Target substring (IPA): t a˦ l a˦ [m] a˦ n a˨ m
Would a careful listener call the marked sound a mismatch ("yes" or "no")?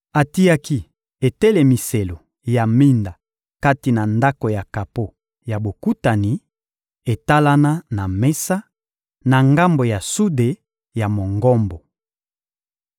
yes